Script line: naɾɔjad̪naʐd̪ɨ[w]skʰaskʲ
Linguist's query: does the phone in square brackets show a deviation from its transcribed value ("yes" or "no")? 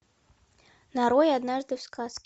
no